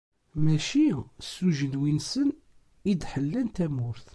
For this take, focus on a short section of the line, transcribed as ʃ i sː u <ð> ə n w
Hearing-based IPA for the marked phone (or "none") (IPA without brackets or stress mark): ʒ